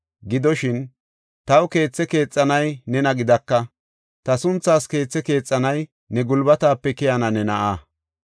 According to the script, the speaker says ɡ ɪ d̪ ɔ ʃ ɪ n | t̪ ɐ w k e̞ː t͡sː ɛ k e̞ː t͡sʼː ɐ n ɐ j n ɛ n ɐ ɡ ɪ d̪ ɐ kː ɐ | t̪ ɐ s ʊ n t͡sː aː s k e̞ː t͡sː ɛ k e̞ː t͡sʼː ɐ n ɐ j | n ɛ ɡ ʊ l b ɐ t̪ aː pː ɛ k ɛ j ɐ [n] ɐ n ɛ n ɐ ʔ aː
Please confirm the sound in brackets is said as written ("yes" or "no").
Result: yes